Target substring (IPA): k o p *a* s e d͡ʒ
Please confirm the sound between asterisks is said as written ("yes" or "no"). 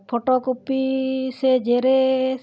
no